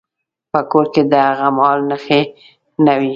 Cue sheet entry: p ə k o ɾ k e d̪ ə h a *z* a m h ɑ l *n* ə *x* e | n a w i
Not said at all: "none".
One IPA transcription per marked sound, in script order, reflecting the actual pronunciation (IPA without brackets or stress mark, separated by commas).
ɣ, n, x